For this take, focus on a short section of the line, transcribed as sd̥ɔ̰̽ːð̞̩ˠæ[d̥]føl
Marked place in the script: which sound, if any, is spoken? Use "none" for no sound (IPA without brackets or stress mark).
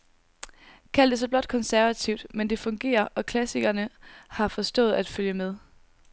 d̥